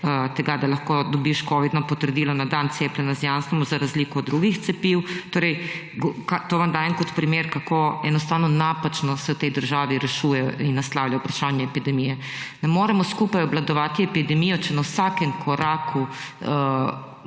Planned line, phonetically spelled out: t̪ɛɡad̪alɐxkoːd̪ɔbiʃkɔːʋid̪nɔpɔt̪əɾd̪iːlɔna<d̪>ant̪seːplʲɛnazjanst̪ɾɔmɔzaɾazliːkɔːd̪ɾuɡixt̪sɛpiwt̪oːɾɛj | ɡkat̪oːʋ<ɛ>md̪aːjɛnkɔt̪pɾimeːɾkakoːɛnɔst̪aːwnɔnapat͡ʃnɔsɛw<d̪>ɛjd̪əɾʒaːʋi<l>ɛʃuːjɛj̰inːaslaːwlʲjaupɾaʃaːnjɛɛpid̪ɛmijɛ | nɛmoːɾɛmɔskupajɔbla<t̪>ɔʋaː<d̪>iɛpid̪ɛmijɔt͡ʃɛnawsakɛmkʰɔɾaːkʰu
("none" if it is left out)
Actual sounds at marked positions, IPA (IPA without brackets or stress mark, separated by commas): d̪, a, t̪, ɾ, d̪, t̪